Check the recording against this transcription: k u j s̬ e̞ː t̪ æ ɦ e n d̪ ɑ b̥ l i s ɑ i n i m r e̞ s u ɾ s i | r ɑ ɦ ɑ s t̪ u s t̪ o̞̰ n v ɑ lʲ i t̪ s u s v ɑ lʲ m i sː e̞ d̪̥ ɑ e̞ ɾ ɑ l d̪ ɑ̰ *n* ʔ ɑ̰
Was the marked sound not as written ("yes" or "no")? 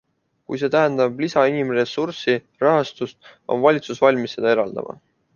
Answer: yes